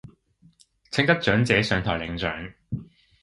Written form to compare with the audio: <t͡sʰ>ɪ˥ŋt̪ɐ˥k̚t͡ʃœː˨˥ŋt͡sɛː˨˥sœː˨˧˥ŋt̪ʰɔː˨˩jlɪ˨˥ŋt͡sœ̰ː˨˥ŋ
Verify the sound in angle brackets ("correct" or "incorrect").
correct